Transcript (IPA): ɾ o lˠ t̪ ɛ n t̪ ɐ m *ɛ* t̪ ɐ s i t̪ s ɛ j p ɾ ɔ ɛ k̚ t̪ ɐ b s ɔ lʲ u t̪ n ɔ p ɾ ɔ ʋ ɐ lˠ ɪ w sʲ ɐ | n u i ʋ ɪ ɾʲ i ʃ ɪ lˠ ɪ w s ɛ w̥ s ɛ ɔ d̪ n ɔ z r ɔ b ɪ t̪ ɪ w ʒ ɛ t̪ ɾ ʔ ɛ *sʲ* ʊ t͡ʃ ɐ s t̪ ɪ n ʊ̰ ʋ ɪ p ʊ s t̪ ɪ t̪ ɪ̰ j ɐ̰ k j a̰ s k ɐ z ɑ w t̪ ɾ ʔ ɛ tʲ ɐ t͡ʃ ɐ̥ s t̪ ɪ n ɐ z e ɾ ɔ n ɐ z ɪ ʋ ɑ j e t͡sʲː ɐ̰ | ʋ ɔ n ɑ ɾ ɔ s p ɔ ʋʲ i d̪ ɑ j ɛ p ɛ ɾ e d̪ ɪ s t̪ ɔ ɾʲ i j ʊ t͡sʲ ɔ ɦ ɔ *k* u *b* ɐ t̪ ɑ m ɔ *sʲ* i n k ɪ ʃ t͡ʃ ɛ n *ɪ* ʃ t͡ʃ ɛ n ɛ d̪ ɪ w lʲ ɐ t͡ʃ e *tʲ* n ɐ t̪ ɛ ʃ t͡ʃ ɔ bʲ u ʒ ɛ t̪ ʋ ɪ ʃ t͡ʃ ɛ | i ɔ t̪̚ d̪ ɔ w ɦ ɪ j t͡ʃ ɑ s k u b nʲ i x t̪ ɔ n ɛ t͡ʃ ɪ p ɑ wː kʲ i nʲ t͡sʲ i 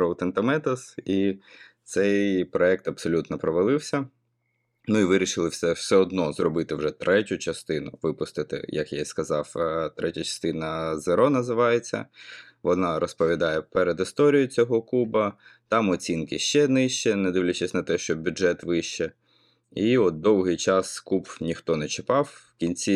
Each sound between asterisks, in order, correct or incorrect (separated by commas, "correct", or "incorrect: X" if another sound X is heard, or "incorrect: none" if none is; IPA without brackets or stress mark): correct, incorrect: tʲ, correct, correct, incorrect: t͡sʲ, correct, incorrect: sʲ